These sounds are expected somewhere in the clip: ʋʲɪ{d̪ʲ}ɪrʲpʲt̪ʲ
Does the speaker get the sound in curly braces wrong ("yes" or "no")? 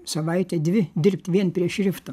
no